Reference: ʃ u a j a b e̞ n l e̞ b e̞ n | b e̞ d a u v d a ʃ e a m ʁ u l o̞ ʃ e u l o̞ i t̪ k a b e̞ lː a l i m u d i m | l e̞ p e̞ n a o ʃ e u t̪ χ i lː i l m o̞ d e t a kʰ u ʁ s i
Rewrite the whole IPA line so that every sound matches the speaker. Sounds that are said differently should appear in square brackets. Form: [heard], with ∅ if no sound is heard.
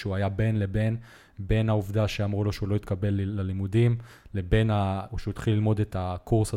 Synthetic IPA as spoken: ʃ u a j a b e̞ n l e̞ b e̞ n | b e̞ [n] a u v d a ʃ e a m ʁ u l o̞ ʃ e u l o̞ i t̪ k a b e̞ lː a l i m u d i m | l e̞ [b] e̞ n a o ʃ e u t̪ χ i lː i l m o̞ d e t a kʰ u ʁ s [a]